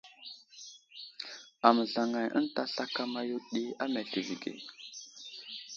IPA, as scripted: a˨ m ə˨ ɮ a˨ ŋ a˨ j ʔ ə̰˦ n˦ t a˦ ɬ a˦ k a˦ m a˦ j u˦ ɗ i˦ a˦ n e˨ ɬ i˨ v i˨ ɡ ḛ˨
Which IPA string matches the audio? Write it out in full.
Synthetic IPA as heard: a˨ m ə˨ ɮ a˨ ŋ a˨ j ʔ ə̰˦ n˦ t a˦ ɬ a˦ k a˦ m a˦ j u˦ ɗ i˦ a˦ m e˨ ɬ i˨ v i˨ ɡ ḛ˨